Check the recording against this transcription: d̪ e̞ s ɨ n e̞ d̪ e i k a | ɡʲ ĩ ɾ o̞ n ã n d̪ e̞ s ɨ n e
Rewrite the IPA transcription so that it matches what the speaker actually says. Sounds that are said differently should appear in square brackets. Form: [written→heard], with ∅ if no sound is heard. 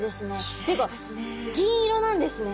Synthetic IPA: d̪ e̞ s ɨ n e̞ [d̪→t̪] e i k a | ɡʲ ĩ ɾ o̞ n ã n d̪ e̞ s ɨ n e